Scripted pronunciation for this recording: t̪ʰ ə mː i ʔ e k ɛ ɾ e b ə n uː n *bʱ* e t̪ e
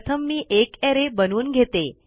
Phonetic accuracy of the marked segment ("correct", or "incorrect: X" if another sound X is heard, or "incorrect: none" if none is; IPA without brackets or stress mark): incorrect: ɡʱ